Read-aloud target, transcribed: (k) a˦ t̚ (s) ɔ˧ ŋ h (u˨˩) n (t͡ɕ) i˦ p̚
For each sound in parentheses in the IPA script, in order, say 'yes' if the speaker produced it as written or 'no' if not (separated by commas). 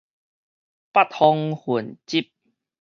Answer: no, no, yes, yes